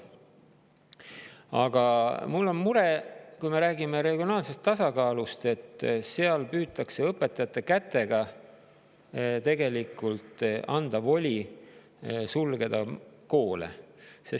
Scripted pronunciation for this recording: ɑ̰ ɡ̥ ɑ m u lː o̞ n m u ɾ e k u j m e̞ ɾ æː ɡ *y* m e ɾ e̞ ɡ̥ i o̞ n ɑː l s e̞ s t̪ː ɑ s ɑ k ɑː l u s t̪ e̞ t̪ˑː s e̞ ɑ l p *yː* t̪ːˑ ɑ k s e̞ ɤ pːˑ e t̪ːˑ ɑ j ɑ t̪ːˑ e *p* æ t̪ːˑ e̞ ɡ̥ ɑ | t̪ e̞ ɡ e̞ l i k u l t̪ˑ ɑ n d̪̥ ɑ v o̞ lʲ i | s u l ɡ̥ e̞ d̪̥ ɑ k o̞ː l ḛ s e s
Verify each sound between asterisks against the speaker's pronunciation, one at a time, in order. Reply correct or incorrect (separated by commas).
incorrect, correct, incorrect